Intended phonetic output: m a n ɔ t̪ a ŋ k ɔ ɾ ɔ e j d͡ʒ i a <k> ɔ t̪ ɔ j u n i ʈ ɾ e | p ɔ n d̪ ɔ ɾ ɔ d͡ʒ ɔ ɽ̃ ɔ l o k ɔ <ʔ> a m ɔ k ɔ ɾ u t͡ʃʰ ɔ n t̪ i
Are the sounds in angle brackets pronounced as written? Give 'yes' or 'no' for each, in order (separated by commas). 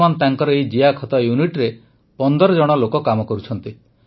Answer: no, no